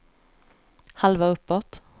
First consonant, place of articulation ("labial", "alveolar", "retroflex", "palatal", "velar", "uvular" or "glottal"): glottal